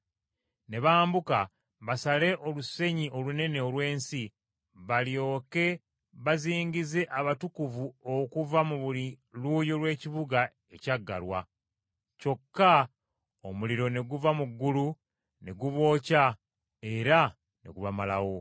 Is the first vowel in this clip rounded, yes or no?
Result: no